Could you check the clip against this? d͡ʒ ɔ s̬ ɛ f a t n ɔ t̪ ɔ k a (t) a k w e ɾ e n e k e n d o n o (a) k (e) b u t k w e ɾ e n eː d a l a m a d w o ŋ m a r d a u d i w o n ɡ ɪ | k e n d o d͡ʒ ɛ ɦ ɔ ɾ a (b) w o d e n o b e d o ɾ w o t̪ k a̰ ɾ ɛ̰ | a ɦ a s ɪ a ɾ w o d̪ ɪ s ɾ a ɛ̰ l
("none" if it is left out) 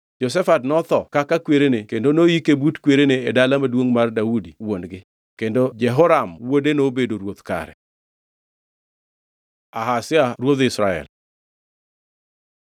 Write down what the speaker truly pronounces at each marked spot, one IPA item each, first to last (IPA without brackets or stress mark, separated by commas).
k, i, e, m